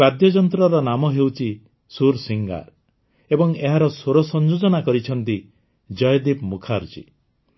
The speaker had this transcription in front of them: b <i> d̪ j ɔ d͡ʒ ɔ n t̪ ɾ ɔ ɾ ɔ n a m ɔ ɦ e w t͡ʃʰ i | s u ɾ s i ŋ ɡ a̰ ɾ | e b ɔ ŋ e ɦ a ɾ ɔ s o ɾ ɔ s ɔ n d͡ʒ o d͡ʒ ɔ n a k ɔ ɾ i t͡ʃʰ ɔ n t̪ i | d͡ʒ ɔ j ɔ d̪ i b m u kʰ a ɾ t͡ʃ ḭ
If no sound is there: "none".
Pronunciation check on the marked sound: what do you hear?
a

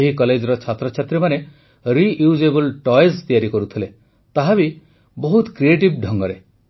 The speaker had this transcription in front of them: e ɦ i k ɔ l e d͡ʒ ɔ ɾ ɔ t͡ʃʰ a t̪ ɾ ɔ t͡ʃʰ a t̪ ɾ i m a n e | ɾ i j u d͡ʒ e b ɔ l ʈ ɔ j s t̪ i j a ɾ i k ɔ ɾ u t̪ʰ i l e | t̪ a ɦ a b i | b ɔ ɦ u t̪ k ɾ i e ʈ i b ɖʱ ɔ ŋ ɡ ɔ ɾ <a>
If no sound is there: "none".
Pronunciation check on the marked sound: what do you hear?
e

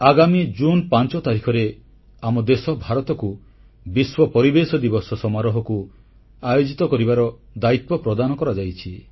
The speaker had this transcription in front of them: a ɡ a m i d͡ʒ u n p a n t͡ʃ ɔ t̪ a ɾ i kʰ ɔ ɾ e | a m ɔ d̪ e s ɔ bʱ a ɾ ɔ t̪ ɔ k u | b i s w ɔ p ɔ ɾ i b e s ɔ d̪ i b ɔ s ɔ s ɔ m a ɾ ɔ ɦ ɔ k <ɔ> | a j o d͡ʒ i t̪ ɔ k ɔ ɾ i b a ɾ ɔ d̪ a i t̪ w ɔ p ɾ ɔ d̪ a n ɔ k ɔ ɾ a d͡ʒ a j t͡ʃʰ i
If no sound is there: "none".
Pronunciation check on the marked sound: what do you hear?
u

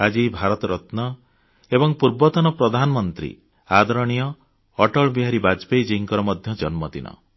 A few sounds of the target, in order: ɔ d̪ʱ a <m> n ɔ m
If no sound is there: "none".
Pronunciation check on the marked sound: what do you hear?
none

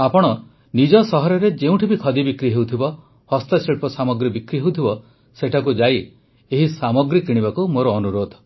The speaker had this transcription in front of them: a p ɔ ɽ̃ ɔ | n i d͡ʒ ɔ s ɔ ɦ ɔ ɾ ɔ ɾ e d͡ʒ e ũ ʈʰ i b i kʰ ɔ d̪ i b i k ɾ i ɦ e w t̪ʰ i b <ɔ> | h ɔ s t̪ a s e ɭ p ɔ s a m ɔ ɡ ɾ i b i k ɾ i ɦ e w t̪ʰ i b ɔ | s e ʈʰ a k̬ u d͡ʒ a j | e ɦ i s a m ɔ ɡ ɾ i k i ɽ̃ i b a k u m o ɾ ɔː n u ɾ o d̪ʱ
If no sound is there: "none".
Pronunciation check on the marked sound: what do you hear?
ɔ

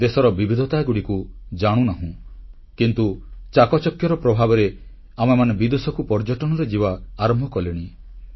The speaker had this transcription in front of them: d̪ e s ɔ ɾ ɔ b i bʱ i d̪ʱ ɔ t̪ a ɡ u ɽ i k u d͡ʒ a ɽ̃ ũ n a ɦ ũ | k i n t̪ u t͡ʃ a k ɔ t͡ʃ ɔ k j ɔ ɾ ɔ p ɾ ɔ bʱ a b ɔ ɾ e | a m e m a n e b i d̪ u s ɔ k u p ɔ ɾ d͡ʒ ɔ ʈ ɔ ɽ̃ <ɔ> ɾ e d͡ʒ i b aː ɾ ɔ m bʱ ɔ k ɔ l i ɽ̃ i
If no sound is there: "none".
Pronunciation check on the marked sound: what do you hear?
ɔ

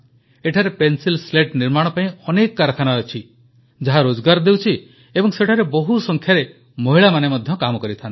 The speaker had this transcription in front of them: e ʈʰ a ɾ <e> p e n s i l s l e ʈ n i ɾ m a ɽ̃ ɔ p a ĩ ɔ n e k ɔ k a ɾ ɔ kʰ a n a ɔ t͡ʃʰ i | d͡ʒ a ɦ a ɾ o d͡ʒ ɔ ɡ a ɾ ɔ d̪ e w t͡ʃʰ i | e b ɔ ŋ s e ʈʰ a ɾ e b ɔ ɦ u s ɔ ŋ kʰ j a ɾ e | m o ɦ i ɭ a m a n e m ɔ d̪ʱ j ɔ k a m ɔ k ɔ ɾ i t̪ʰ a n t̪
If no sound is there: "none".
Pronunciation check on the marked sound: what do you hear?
e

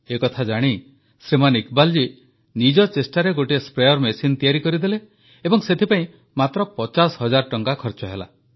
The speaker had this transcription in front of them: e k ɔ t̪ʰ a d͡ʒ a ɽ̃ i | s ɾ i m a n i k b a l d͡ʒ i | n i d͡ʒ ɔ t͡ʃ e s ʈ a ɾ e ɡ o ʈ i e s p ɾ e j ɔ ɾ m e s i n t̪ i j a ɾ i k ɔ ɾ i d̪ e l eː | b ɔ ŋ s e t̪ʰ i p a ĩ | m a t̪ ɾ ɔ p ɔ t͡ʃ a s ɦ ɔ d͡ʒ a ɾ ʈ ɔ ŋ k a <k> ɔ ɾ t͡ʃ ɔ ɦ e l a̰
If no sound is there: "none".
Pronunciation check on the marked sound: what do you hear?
kʰ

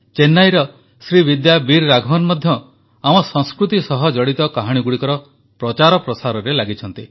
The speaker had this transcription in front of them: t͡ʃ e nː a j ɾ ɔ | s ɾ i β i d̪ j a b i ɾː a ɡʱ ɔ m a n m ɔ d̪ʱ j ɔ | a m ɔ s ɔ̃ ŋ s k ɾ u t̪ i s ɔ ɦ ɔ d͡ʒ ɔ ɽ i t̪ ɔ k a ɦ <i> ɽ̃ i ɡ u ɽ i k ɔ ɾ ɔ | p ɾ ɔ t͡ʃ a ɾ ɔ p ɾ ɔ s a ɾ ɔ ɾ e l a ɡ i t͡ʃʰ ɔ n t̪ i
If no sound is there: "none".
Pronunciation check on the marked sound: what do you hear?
a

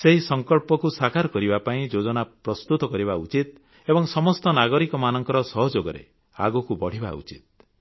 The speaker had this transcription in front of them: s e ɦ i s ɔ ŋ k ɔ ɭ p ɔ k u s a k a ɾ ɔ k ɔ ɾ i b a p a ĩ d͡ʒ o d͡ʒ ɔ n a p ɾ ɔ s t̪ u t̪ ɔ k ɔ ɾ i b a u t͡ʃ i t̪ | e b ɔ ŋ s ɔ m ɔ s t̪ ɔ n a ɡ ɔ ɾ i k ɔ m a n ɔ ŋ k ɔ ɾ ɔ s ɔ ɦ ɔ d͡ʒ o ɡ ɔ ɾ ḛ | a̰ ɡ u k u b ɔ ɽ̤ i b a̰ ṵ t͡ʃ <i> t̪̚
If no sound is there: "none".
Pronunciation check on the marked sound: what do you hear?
i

